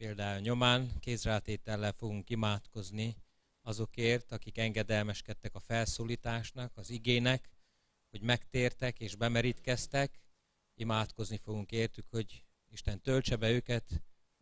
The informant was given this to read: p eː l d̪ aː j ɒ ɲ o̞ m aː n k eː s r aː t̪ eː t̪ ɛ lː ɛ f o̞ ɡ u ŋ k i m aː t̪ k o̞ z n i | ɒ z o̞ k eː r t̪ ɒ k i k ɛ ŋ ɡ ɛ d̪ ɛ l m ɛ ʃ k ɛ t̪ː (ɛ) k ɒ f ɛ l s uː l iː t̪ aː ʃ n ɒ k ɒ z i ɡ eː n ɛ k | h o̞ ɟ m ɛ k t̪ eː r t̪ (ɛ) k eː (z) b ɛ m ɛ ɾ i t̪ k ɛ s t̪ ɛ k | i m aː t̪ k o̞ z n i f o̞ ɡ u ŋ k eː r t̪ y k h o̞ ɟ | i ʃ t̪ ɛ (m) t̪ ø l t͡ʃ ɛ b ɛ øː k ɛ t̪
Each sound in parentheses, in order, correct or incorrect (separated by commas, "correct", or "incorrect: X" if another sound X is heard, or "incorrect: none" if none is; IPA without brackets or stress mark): correct, correct, incorrect: ʒ, incorrect: n